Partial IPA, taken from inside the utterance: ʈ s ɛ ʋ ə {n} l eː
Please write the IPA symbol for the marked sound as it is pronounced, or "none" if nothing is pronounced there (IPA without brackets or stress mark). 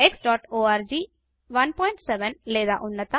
n